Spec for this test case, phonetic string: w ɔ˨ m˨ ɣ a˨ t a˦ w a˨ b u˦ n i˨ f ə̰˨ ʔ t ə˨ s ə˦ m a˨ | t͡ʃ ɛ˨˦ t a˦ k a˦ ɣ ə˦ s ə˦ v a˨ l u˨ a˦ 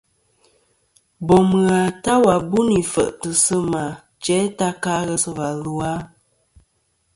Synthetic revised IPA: b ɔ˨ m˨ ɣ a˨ t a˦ w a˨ b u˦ n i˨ f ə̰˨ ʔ t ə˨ s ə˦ m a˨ | t͡ʃ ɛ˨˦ t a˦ k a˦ ɣ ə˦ s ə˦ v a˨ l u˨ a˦

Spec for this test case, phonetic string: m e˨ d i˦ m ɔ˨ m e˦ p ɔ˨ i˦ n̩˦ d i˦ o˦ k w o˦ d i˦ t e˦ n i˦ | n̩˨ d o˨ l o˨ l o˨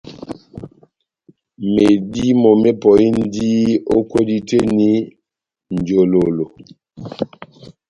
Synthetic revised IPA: m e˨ d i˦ m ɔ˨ m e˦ p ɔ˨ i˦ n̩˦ d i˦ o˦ k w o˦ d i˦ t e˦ n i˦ | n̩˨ d͡ʒ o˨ l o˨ l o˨

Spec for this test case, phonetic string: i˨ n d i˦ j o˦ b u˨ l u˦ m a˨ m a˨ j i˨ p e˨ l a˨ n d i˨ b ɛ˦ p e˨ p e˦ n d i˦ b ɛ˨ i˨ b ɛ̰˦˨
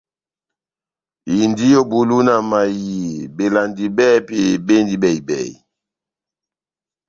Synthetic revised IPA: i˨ n d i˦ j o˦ b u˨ l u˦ n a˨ m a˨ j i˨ b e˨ l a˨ n d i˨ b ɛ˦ p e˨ b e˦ n d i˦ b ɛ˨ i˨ b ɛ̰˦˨

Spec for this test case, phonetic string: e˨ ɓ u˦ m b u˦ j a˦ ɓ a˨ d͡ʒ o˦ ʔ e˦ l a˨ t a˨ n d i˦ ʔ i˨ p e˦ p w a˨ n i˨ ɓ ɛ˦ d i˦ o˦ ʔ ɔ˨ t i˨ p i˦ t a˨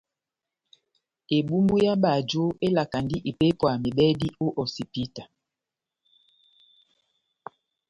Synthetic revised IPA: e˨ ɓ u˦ m b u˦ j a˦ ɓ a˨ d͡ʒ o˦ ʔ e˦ l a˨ k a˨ n d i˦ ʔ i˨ p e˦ p w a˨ m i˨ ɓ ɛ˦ d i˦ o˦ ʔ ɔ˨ s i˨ p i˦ t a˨

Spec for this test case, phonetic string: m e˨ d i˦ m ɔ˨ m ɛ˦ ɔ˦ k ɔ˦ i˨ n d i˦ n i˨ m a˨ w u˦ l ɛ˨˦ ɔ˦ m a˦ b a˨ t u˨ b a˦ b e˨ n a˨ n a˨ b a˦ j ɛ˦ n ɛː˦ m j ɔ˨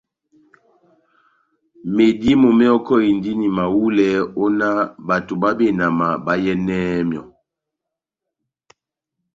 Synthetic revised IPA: m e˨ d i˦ m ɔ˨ m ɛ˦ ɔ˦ k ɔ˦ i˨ n d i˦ n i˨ m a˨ w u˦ l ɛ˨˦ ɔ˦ n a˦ b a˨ t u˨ b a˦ b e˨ n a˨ m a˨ b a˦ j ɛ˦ n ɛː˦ m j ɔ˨

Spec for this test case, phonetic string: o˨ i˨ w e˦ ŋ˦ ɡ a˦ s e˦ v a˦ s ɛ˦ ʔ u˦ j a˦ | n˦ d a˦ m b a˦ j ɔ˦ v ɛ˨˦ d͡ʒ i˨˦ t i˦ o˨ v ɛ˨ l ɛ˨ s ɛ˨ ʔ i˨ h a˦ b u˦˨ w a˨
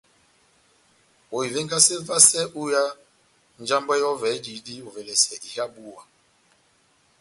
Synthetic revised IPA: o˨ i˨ v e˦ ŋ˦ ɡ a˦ s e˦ v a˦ s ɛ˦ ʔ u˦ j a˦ | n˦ d͡ʒ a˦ m b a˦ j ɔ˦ v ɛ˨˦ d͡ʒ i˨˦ d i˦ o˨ v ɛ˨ l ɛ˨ s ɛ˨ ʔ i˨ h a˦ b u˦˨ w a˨

